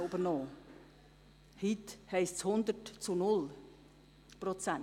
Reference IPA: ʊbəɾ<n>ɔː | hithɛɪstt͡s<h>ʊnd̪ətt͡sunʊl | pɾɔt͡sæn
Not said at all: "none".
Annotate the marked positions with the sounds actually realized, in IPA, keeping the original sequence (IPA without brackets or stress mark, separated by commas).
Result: n, h